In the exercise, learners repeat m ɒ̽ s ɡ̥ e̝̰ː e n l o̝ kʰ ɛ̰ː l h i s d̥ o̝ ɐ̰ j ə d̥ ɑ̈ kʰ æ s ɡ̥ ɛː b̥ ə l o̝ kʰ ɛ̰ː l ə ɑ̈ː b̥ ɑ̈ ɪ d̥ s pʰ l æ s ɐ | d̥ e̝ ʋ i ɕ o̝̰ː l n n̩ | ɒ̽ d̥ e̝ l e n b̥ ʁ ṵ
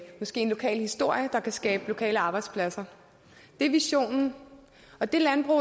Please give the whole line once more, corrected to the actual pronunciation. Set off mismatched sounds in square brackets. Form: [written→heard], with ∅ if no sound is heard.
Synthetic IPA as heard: m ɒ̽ s ɡ̥ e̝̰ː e n l o̝ kʰ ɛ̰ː l h i s d̥ o̝ ɐ̰ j ə d̥ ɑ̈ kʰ æ s ɡ̥ ɛː b̥ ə l o̝ kʰ ɛ̰ː l ə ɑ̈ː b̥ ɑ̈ ɪ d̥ s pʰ l æ s ɐ | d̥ e̝ ʋ i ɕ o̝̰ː [l→∅] n n̩ | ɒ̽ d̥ e̝ l [e→æ] n b̥ ʁ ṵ